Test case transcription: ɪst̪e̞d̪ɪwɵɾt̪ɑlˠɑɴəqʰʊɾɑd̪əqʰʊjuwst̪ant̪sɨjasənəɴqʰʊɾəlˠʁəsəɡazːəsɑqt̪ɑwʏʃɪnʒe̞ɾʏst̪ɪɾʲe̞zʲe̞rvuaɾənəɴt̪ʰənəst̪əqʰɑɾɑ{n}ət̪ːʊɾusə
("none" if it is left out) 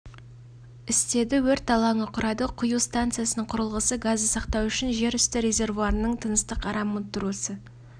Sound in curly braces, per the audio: m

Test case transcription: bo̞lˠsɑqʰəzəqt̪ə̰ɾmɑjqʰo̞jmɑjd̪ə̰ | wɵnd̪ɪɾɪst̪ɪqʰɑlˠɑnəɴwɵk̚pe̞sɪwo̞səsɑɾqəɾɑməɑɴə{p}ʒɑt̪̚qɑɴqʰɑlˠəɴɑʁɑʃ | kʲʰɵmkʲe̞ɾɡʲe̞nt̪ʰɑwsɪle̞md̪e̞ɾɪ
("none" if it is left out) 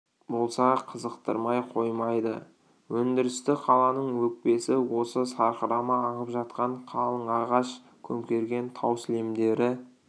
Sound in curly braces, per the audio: p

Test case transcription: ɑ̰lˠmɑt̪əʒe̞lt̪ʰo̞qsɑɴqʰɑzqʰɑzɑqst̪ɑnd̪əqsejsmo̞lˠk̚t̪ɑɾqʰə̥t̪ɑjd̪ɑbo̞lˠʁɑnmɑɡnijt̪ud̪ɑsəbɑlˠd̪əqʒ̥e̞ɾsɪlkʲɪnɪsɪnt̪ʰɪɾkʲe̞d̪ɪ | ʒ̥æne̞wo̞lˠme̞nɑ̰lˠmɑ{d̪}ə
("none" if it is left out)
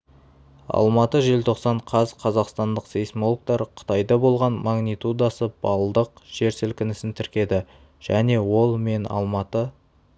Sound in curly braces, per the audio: t̪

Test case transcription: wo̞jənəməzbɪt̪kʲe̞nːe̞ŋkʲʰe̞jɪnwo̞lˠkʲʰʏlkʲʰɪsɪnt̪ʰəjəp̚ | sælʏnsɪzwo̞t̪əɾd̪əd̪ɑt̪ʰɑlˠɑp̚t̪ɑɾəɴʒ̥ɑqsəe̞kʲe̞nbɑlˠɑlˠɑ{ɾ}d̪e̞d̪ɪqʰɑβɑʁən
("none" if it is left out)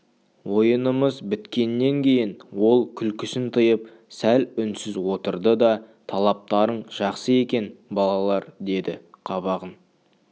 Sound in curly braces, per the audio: ɾ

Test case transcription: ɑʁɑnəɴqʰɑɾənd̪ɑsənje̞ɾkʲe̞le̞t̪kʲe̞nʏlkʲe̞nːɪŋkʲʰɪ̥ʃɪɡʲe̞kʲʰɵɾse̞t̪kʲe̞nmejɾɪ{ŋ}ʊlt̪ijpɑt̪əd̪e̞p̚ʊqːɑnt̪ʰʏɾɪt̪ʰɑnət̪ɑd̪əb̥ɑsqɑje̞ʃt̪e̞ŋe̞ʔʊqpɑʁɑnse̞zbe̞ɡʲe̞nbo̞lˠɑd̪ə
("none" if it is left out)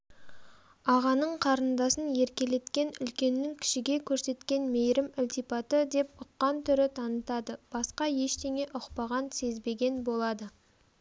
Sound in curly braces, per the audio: m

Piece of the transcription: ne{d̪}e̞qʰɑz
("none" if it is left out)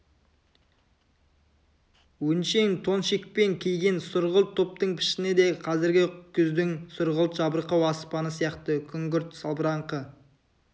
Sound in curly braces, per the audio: d̪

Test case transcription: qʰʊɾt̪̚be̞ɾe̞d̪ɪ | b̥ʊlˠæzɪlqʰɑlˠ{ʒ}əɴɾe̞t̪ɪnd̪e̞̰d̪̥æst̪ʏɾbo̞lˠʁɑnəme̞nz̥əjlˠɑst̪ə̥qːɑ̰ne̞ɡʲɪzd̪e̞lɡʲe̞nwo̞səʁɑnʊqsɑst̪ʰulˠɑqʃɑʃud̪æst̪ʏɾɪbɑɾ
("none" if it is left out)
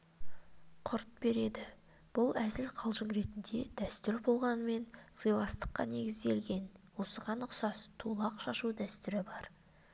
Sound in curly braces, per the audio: ʒ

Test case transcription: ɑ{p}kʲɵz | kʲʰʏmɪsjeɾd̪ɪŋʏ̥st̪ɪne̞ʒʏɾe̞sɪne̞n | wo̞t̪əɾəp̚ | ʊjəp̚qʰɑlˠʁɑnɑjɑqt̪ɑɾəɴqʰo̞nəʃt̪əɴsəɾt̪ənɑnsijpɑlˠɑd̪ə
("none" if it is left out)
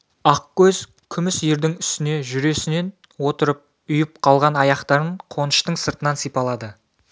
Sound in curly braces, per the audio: q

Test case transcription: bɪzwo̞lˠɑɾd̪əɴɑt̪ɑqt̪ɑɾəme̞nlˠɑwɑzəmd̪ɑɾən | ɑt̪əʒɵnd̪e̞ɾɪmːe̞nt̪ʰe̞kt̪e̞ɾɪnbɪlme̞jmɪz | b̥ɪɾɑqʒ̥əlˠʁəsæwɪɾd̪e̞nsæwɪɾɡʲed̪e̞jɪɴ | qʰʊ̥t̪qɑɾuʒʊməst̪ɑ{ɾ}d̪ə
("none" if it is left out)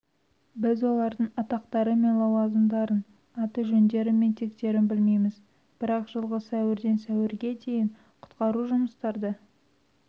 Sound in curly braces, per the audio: ɾ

